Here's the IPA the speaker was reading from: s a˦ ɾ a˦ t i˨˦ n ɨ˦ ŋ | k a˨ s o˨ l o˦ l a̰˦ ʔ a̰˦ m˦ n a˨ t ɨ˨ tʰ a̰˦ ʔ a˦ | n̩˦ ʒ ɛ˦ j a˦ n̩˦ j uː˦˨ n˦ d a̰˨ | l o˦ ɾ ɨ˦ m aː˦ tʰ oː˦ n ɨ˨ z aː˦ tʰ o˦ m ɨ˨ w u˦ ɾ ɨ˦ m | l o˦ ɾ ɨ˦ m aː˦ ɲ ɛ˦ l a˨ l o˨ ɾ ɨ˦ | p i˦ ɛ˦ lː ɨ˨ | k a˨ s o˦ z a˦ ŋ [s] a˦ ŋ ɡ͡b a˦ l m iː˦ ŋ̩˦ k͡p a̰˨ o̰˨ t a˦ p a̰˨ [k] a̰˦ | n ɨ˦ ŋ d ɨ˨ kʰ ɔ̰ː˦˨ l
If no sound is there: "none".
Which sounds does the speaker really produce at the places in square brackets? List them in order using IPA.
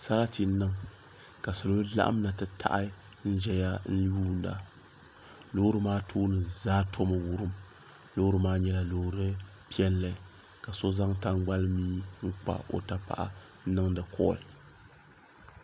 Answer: t, ʔ

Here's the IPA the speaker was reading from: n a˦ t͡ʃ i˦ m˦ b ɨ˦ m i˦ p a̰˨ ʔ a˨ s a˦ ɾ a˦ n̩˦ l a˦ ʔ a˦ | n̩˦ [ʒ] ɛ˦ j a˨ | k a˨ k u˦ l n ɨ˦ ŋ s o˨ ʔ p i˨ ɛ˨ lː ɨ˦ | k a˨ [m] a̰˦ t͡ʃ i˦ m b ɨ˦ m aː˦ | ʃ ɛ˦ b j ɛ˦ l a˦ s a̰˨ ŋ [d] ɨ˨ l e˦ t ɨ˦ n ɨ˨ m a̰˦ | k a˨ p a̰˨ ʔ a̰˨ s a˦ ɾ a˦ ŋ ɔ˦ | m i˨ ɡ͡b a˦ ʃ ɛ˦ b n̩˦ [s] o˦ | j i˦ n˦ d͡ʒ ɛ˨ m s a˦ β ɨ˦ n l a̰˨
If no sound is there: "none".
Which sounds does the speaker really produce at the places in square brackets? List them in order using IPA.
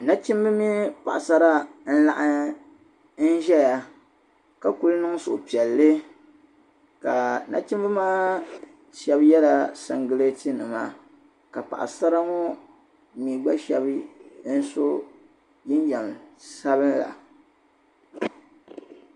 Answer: ʒ, n, ɡ, s

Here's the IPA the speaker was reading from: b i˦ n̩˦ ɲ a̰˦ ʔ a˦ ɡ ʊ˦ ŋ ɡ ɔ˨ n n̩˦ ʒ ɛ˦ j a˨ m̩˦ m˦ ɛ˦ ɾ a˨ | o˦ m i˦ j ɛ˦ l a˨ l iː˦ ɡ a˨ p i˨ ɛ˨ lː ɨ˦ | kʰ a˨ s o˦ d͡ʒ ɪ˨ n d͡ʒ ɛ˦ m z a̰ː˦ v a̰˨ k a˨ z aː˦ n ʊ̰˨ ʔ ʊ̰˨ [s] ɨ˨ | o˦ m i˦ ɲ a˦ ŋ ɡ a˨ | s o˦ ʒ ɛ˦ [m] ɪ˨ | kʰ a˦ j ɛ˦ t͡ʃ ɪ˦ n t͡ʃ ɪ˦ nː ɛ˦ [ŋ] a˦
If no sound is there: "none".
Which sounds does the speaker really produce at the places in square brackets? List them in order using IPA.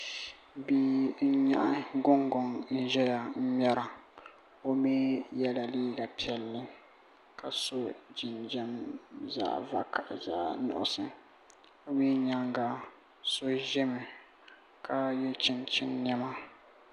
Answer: s, m, m

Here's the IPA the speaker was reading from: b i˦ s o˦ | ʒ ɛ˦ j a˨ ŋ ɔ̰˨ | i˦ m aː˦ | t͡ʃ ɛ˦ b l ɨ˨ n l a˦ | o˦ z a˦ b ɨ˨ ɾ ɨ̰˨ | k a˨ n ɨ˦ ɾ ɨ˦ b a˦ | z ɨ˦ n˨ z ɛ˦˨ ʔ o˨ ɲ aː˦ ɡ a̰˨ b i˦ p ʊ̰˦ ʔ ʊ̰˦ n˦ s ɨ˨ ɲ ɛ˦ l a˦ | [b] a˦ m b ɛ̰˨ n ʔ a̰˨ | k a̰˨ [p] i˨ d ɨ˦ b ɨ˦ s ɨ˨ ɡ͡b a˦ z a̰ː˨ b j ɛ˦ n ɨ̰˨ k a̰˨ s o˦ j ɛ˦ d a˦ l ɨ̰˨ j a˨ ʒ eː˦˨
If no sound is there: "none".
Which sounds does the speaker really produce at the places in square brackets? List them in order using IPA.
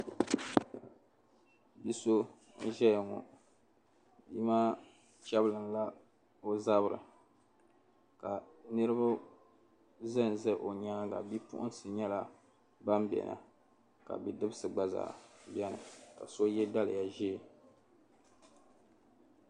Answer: b, b

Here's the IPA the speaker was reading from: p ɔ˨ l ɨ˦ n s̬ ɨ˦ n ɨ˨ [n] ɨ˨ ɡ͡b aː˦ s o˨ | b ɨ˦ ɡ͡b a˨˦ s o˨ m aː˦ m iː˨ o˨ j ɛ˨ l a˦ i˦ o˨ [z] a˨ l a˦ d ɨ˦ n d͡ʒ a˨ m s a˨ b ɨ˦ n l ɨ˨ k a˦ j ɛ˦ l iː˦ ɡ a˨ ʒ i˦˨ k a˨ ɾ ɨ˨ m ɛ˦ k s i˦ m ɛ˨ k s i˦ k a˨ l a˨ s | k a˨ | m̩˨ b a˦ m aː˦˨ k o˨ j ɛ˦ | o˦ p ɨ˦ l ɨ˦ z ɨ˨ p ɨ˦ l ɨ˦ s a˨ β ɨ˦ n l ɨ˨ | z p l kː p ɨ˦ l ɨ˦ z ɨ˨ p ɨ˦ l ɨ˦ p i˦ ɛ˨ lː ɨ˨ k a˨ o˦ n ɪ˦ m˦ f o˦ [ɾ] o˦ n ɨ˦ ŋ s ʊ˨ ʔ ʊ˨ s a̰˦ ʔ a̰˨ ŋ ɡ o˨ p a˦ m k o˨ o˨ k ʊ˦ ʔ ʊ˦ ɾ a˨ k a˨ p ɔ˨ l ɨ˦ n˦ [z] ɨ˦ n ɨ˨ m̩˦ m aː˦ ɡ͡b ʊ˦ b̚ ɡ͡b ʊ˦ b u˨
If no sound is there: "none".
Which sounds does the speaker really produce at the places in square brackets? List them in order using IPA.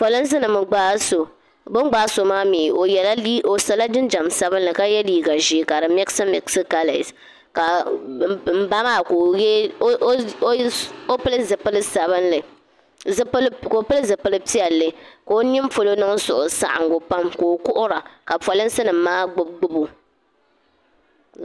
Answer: m, s, l, s

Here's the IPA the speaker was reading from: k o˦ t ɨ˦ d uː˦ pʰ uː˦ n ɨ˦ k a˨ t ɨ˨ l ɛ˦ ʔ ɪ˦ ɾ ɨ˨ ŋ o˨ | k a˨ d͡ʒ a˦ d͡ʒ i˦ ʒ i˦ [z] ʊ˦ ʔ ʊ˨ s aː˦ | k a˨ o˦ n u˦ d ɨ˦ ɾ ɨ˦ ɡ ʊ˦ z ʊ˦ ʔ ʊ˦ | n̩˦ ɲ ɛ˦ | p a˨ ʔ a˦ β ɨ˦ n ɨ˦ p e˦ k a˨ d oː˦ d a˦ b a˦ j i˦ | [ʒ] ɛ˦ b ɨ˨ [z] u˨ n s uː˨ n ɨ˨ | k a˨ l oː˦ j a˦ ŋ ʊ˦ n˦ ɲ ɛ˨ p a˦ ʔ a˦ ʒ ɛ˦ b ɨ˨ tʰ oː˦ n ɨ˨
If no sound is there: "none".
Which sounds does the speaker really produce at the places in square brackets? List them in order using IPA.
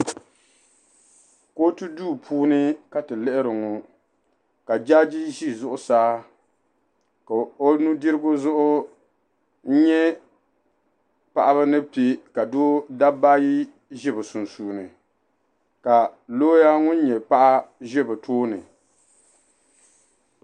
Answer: z, ʒ, s

